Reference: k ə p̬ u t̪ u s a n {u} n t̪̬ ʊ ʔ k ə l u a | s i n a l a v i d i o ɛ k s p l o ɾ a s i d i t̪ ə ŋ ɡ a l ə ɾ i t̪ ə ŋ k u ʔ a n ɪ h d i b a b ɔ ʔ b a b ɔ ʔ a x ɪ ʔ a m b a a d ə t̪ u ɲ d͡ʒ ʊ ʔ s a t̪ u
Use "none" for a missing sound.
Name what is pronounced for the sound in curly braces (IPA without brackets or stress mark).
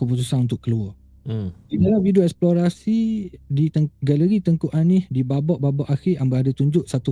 u